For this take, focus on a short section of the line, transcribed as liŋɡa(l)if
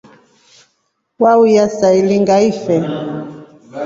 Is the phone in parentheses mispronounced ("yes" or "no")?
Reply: yes